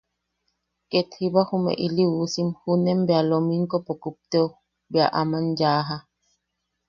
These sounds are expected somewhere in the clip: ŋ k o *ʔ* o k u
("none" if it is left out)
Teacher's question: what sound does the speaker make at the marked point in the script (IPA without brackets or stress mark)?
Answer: p